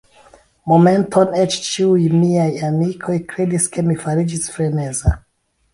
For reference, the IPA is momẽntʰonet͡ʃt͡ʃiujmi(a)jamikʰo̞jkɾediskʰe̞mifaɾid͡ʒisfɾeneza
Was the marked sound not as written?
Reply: no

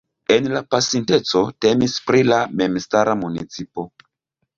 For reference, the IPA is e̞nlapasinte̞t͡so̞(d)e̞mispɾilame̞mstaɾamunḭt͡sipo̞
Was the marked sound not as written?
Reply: yes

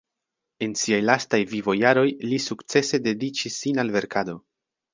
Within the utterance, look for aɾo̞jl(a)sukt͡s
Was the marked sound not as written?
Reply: yes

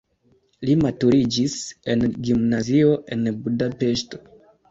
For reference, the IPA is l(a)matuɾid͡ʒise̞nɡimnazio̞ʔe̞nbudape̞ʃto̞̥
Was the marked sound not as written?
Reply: yes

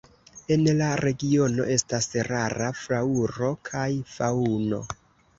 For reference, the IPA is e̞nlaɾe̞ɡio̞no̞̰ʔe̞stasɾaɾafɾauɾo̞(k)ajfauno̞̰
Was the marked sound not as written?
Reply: yes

